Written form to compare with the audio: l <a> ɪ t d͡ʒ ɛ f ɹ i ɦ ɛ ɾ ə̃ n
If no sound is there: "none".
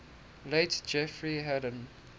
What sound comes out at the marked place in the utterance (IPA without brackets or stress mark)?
e